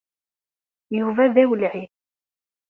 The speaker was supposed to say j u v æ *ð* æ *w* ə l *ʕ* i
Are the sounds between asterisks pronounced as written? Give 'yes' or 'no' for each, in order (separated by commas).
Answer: yes, yes, yes